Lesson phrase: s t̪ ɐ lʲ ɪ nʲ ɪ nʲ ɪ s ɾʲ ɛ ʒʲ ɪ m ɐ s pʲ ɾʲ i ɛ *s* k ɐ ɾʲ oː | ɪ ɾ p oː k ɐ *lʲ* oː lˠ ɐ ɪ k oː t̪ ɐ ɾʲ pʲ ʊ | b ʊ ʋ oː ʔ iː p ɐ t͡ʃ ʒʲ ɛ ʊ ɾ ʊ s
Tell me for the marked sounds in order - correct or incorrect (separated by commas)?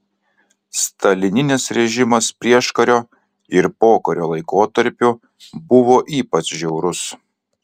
incorrect, incorrect